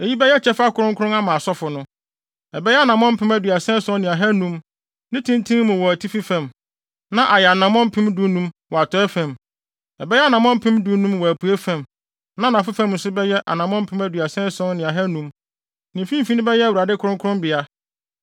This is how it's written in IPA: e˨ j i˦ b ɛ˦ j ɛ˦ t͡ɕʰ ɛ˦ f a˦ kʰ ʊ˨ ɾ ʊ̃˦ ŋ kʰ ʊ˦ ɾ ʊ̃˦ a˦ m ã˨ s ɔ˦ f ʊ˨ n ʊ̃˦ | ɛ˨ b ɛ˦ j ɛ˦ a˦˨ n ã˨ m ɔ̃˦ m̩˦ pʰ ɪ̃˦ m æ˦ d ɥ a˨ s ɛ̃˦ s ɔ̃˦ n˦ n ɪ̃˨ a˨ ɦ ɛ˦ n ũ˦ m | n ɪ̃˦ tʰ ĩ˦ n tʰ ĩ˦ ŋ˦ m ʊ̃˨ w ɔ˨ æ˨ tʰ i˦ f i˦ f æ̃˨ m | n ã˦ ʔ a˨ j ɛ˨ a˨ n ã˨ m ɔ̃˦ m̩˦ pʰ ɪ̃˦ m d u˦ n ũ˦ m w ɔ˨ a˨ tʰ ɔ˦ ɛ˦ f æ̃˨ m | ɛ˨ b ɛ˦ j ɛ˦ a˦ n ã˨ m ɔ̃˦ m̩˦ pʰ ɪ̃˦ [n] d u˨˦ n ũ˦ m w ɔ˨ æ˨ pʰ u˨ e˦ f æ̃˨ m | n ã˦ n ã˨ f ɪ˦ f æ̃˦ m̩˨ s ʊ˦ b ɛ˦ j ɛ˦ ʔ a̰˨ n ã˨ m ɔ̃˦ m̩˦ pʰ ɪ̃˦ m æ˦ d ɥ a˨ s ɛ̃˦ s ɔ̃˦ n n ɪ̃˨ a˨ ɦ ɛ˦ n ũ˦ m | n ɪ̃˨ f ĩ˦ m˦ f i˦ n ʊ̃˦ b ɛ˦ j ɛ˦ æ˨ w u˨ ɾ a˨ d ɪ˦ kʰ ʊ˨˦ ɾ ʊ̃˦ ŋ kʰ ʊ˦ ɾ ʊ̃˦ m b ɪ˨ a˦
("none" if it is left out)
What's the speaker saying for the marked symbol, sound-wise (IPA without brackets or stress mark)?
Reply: m